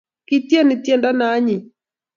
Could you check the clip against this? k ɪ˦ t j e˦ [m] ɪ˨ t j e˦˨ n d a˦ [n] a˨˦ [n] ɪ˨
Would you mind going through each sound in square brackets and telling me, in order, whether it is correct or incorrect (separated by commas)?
incorrect, correct, incorrect